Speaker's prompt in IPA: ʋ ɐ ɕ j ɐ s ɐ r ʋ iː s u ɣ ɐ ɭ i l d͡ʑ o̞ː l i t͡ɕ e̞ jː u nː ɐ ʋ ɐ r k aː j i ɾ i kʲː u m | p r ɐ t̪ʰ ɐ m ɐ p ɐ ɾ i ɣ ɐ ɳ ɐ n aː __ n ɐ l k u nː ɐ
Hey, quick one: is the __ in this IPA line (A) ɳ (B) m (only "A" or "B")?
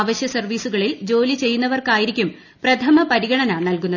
A